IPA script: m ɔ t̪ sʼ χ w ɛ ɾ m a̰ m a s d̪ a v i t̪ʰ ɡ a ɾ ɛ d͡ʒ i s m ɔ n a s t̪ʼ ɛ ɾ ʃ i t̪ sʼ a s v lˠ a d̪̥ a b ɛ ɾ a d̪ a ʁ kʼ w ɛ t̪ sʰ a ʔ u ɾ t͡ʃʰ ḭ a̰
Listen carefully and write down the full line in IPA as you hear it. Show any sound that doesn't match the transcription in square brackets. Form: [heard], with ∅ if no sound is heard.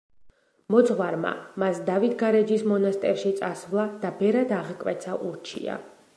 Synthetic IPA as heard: m ɔ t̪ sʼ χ w [a] ɾ m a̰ m a s d̪ a v i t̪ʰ ɡ a ɾ ɛ d͡ʒ i s m ɔ n a s t̪ʼ ɛ ɾ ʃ i t̪ sʼ a s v lˠ a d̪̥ a b ɛ ɾ a d̪ a ʁ kʼ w ɛ t̪ sʰ a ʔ u ɾ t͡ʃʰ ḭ a̰